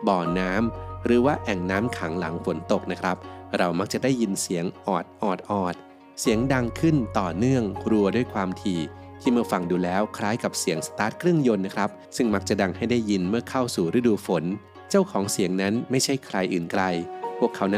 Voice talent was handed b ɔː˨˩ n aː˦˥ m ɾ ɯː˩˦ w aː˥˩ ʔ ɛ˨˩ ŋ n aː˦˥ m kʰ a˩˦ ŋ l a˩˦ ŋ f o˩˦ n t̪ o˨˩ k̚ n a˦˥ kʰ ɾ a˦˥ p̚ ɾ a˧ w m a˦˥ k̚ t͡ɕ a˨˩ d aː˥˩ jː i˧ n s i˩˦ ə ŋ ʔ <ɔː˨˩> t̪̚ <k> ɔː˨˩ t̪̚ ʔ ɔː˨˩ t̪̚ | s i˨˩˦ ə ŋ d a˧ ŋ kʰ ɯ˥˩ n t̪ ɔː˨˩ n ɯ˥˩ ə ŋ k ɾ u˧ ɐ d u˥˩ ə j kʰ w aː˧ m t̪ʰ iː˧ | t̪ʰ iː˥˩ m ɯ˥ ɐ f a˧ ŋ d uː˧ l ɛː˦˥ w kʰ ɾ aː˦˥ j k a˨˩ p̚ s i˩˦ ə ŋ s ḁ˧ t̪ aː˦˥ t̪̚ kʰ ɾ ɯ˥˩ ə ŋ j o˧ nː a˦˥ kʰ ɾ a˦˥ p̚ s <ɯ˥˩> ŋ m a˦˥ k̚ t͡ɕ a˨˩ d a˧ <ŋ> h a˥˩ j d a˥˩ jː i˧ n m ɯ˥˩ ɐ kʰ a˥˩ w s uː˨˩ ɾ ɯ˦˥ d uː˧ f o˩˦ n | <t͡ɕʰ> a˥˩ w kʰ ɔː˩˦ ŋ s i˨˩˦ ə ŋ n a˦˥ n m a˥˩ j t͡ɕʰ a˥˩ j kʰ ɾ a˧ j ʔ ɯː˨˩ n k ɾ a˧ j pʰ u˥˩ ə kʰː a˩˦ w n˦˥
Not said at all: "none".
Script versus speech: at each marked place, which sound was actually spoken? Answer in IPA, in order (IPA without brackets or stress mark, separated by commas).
ɔː˨˩, ʔ, ɯ˥˩, ŋ, t͡ɕ